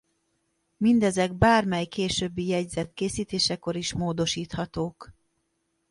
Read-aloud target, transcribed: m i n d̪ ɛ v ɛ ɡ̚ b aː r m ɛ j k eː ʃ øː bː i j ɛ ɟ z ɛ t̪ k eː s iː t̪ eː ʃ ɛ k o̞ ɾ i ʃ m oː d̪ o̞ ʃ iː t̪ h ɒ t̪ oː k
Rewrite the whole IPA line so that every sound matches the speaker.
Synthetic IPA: m i n d̪ ɛ z ɛ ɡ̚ b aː r m ɛ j k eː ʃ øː bː i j ɛ ɟ z ɛ t̪ k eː s iː t̪ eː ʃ ɛ k o̞ ɾ i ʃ m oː d̪ o̞ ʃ iː t̪ h ɒ t̪ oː k